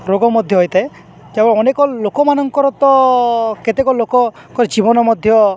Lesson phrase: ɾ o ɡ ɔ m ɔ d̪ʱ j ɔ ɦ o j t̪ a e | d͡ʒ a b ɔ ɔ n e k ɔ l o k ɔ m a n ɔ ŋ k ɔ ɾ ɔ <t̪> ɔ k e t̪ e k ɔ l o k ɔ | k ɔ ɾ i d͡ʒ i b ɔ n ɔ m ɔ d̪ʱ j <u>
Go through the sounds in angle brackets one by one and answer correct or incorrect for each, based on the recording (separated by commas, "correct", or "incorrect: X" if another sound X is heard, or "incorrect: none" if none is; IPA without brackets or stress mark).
correct, incorrect: ɔ